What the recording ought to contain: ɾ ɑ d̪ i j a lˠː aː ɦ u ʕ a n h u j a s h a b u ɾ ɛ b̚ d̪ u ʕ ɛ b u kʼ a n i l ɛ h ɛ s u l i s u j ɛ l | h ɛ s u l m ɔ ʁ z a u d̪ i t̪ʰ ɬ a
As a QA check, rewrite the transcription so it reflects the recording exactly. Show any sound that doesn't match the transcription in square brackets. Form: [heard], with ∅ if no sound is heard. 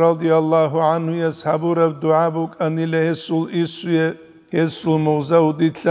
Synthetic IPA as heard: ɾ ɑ d̪ i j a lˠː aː ɦ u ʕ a n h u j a s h a b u ɾ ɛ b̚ d̪ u ʕ [a] b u kʼ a n i l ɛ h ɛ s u l i s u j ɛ [∅] | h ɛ s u l m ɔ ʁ z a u d̪ i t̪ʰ ɬ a